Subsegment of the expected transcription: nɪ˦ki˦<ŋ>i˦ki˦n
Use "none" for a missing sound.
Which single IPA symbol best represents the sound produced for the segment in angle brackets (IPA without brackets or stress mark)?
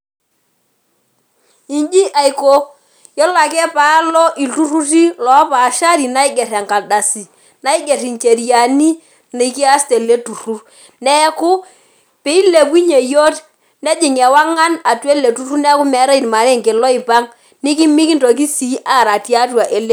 m